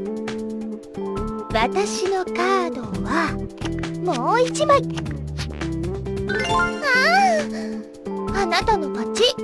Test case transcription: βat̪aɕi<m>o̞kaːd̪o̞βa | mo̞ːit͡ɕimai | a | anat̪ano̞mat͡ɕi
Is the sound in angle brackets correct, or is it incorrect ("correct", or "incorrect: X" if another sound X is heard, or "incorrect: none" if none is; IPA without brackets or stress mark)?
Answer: incorrect: n